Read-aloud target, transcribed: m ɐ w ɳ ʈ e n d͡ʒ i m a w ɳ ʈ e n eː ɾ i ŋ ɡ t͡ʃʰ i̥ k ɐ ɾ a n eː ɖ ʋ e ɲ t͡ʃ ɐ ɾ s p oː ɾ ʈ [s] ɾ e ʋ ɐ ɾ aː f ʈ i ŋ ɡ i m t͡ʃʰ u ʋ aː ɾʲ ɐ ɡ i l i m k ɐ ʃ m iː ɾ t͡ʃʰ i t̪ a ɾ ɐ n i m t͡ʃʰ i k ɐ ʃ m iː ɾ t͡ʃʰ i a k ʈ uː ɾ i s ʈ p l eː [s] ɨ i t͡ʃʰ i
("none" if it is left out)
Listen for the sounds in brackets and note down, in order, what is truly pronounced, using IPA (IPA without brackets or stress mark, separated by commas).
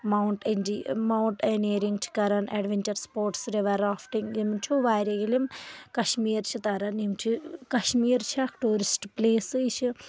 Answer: s, s